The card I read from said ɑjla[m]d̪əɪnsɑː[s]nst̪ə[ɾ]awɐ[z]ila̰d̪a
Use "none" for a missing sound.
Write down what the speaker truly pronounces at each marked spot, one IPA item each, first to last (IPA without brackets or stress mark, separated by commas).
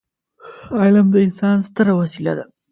m, none, ɾ, s